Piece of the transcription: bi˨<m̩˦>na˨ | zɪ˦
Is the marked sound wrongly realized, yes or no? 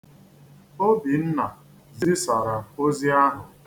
yes